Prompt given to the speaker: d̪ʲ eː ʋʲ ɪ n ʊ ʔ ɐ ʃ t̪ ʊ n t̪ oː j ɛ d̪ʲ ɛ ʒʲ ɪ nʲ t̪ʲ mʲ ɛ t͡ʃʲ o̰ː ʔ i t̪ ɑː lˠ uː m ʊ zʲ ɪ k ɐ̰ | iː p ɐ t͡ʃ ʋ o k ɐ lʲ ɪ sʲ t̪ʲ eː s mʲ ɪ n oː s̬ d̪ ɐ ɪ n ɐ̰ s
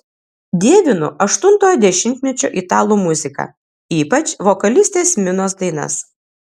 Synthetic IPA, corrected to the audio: d̪ʲ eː ʋʲ ɪ n ʊ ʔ ɐ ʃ t̪ ʊ n t̪ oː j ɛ d̪ʲ ɛ ʃʲ ɪ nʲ t̪ʲ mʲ ɛ t͡ʃʲ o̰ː ʔ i t̪ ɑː lˠ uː m ʊ zʲ ɪ k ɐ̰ | iː p ɐ t͡ʃ ʋ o k ɐ lʲ ɪ sʲ t̪ʲ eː s mʲ ɪ n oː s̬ d̪ ɐ ɪ n ɐ̰ s